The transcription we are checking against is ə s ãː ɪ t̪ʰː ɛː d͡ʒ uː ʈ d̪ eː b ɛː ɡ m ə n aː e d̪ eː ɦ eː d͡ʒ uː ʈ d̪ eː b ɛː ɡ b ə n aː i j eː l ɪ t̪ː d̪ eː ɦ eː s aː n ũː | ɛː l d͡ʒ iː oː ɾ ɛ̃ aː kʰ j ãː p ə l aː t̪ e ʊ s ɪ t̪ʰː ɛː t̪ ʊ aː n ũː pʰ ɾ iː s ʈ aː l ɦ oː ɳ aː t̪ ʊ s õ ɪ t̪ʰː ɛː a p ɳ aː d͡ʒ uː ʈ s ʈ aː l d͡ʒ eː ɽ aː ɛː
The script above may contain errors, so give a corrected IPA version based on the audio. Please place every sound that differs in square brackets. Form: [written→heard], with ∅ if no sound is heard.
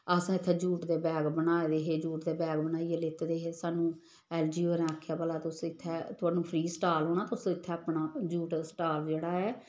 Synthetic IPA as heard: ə s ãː ɪ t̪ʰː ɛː d͡ʒ uː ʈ d̪ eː b ɛː ɡ [m→b] ə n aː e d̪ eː ɦ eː d͡ʒ uː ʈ d̪ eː b ɛː ɡ b ə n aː i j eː l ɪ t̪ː d̪ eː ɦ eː s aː n ũː | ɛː l d͡ʒ iː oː ɾ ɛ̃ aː kʰ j [ãː→aː] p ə l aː t̪ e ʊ s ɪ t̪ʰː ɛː t̪ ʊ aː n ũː pʰ ɾ iː s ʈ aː l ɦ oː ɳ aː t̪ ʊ s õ ɪ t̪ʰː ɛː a p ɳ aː d͡ʒ uː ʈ s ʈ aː l d͡ʒ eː ɽ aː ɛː